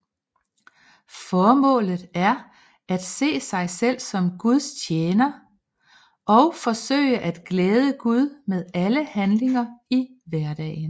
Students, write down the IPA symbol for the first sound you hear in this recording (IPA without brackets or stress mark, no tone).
f